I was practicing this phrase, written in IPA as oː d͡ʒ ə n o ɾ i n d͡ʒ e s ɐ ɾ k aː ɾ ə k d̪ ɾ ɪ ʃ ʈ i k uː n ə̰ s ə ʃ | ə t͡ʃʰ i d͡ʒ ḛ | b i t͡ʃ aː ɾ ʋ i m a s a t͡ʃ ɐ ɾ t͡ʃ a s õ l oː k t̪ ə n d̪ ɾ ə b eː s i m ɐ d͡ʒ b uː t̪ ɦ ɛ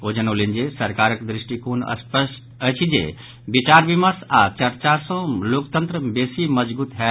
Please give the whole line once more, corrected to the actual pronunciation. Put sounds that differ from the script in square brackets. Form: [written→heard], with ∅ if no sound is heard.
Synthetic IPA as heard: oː d͡ʒ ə n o [ɾ→l] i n d͡ʒ e s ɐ ɾ k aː ɾ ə k d̪ ɾ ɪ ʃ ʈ i k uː n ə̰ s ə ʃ | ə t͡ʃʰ i d͡ʒ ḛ | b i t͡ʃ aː ɾ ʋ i m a s a t͡ʃ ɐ ɾ t͡ʃ a s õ l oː k t̪ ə n [d̪→t̪] ɾ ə b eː s i m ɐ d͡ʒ b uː t̪ ɦ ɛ